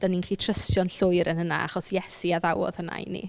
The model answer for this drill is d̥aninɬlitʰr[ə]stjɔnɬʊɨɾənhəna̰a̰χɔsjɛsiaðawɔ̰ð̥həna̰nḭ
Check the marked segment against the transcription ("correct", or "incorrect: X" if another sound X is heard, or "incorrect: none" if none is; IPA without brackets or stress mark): correct